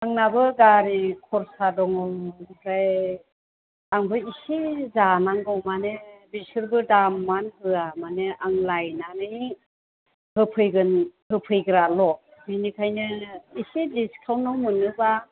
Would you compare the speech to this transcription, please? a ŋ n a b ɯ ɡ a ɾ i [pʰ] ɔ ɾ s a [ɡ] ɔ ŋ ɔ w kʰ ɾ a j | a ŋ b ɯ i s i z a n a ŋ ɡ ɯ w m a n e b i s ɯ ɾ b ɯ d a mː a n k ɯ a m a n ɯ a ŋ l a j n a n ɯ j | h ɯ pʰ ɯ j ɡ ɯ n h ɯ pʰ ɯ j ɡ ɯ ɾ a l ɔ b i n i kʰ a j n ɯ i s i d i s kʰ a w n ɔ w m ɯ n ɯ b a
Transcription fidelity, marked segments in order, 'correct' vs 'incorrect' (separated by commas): incorrect, incorrect